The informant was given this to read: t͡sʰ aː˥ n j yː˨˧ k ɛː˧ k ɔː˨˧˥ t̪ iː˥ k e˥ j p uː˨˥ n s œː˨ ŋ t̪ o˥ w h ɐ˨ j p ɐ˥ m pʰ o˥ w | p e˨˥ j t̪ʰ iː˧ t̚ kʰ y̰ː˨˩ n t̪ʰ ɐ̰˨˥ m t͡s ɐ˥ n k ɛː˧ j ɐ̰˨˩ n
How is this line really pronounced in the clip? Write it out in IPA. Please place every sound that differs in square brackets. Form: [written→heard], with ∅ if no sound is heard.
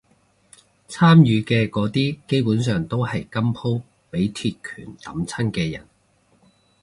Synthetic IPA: t͡sʰ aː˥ [n→m] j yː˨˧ k ɛː˧ k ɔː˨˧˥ t̪ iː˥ k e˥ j p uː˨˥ n s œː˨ ŋ t̪ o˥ w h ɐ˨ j [p→k] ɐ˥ m pʰ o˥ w | p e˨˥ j t̪ʰ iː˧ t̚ kʰ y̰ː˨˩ n [t̪ʰ→t̪] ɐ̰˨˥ m [t͡s→t͡sʰ] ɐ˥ n k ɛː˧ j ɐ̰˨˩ n